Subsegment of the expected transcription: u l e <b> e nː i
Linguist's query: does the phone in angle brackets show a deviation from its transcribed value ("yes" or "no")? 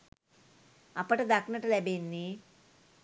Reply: no